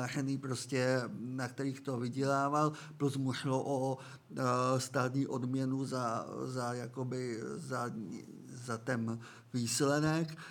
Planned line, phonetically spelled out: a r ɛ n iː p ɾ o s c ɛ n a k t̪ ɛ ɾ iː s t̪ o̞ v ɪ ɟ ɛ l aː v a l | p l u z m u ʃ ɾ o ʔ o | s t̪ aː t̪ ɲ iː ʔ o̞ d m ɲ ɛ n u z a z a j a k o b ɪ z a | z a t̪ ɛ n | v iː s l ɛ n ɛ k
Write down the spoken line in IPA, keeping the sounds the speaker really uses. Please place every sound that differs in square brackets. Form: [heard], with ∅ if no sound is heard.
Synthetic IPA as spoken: a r ɛ n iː p ɾ o s c ɛ n a k t̪ ɛ ɾ iː [x] t̪ o̞ v ɪ ɟ ɛ l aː v a l | p l u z m u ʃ [l] o ʔ o | s t̪ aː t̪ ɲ iː ʔ o̞ d m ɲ ɛ n u z a z a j a k o b ɪ z a | z a t̪ ɛ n | v iː s l ɛ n ɛ k